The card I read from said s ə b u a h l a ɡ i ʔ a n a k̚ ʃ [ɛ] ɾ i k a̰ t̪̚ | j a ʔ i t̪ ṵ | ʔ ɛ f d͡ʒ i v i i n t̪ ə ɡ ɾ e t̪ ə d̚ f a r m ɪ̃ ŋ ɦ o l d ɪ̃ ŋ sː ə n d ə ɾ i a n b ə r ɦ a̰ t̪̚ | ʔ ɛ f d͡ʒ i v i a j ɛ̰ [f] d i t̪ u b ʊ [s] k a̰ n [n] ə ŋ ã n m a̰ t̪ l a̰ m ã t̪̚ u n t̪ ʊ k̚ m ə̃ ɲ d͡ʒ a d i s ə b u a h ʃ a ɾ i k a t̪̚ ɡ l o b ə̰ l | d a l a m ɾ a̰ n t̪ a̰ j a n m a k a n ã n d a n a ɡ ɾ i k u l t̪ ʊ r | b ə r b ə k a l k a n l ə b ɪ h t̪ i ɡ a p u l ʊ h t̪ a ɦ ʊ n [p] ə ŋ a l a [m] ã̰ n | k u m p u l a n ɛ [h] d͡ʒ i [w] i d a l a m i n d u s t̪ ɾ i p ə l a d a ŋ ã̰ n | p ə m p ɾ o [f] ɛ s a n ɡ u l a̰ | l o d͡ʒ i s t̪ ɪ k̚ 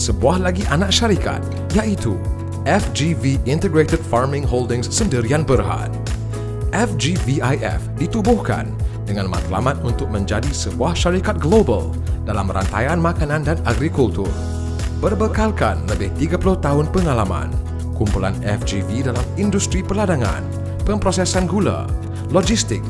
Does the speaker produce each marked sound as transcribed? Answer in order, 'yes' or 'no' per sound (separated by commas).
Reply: no, yes, no, no, yes, yes, no, no, no